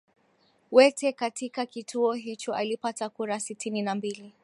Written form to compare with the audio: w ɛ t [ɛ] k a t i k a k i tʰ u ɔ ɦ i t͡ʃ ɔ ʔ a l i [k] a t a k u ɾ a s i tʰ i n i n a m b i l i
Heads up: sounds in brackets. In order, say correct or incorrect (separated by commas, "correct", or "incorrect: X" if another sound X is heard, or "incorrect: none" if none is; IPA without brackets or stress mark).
correct, incorrect: p